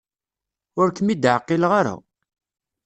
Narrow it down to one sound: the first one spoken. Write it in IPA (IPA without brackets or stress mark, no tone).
ʊ